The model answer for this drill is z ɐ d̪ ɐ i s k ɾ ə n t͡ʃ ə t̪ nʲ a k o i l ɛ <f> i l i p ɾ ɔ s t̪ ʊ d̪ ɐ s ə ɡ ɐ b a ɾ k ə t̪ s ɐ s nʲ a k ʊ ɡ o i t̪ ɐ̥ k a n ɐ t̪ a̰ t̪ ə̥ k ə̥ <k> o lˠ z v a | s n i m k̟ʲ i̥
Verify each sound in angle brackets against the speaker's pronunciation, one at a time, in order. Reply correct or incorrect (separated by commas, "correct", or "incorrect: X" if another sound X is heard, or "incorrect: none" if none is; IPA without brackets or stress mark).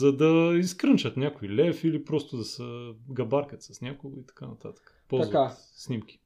correct, incorrect: p